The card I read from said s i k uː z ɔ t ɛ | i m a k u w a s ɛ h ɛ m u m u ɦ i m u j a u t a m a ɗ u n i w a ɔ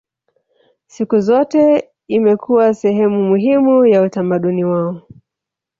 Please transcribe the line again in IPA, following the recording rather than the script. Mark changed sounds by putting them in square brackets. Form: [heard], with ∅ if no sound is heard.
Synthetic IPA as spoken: s i k [u] z ɔ t ɛ | i m [ɛ] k u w a s ɛ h ɛ m u m u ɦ i m u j a u t a m a ɗ u n i w a ɔ